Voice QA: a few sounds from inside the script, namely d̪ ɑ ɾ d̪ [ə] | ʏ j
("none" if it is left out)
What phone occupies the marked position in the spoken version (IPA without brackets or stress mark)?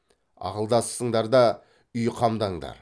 ɑ